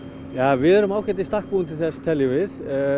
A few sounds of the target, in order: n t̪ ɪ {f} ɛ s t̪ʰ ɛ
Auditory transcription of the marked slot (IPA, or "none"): θ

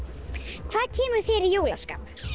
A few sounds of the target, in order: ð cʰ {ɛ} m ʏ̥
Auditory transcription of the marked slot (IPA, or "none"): ɛː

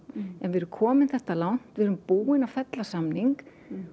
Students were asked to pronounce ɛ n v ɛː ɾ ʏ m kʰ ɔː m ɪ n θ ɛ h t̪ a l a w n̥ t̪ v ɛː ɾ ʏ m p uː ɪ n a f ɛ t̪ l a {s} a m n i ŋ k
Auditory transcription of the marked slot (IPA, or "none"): s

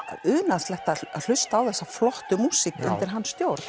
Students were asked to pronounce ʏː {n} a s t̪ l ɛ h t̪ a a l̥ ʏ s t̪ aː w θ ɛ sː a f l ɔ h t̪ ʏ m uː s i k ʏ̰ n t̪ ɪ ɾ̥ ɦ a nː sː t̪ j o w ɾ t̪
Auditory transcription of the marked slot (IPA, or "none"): n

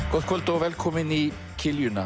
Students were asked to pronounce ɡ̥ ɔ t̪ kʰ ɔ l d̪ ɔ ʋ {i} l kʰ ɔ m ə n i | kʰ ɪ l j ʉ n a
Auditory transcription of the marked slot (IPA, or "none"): ɛ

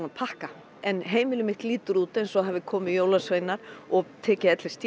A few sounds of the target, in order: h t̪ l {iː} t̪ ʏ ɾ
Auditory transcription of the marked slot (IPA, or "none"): iː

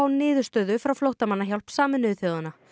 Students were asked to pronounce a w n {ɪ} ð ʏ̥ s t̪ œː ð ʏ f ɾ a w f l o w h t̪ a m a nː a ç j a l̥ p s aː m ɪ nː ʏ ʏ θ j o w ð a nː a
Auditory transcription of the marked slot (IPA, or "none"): ɪː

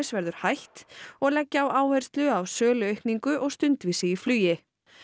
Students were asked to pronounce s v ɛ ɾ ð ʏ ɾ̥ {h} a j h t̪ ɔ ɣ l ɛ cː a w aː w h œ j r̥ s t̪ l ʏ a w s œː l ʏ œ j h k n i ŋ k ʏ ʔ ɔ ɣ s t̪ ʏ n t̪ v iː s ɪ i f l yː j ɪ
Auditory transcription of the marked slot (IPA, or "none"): h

